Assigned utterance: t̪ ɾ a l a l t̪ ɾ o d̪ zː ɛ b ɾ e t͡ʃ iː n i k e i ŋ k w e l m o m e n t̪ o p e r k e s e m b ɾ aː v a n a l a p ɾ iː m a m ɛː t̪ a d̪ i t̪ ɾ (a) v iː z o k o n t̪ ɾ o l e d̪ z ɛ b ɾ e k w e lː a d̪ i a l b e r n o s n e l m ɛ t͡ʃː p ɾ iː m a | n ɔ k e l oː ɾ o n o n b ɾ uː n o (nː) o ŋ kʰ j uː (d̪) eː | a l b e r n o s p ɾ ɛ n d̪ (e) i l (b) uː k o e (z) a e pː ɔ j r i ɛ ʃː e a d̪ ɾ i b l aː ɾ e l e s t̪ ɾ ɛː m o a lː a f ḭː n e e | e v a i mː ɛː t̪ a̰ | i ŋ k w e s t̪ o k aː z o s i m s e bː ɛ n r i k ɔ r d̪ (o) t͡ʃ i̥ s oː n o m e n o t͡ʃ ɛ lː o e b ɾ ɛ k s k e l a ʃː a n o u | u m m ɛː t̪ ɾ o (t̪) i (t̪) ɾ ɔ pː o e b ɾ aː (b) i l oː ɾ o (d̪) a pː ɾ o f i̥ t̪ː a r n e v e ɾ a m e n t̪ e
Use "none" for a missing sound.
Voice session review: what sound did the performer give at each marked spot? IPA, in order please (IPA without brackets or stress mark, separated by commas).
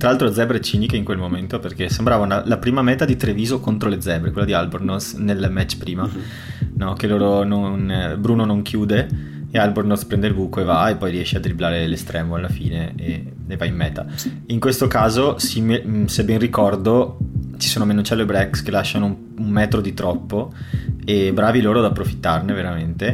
e, n, d̪, e, b, v, o, d̪, t̪, v, d̪